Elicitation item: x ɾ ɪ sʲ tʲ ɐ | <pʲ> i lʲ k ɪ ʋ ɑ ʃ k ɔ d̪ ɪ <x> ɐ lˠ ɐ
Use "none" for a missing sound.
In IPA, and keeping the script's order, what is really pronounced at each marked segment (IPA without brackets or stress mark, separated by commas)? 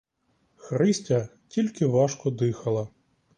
tʲ, x